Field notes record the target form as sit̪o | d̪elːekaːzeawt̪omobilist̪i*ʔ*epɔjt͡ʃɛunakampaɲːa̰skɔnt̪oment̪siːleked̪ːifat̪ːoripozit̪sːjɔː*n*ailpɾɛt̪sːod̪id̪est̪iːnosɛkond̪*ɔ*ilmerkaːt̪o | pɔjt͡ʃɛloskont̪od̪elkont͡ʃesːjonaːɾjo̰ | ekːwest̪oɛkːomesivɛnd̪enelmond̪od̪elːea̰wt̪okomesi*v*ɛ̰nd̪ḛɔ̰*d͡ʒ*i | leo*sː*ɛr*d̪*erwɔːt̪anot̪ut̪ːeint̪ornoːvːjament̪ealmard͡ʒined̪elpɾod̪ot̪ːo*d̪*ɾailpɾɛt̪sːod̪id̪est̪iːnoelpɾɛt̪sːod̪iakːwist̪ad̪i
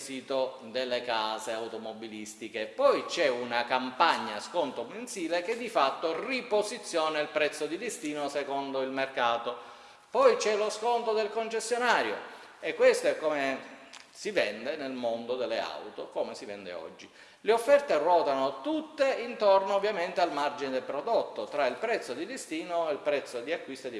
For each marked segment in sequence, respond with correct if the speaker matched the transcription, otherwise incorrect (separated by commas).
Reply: incorrect, correct, incorrect, correct, incorrect, incorrect, incorrect, incorrect